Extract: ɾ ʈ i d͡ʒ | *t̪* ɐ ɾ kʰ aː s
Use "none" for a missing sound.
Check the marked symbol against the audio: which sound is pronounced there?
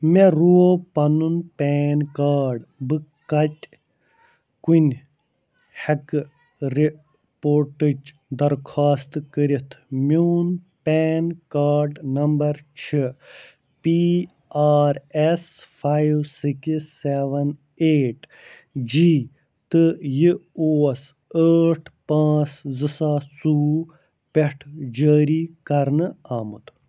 d̪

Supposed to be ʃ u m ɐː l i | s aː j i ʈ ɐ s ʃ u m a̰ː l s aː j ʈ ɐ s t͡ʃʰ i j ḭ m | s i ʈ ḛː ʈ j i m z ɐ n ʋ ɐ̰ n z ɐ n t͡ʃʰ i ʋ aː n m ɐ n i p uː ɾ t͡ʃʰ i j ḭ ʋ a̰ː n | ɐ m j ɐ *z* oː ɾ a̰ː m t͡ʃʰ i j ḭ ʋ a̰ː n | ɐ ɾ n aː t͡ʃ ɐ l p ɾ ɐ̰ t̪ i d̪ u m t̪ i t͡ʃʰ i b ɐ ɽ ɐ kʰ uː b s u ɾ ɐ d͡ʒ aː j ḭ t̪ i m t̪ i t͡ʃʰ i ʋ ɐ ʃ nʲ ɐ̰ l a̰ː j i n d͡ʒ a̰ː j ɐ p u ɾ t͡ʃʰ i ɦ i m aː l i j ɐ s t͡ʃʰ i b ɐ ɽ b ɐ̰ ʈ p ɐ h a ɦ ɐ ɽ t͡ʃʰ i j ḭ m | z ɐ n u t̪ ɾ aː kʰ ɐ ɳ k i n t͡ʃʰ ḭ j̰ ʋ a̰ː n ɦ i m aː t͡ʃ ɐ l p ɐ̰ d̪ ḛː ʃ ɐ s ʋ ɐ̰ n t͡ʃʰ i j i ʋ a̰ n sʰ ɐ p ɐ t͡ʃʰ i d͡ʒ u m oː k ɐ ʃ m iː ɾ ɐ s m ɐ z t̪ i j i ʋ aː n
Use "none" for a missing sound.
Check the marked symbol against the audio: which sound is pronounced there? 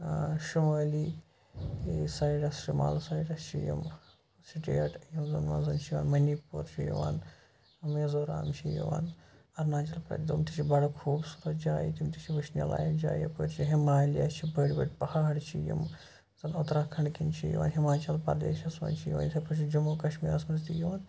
z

